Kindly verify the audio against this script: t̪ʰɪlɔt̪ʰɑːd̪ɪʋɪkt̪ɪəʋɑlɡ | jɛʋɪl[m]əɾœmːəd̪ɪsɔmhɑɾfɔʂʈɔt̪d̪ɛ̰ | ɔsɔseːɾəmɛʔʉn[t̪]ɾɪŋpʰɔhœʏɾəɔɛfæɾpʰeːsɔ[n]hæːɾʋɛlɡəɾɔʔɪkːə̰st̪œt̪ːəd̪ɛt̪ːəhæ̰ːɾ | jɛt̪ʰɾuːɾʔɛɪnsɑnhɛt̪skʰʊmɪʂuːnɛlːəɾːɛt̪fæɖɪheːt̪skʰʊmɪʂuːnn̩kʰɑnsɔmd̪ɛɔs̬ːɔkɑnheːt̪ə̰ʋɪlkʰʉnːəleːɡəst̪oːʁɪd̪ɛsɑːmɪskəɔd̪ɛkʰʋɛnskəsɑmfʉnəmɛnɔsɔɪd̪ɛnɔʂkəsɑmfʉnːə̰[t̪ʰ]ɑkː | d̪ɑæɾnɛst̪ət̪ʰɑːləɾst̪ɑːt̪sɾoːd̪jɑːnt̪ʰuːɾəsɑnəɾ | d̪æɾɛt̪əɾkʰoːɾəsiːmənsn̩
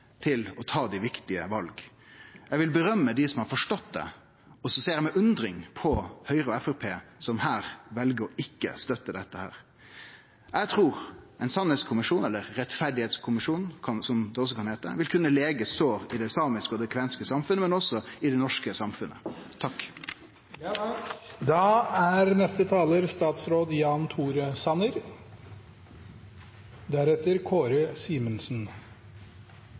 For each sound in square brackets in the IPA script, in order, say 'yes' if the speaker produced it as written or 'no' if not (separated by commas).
no, no, no, yes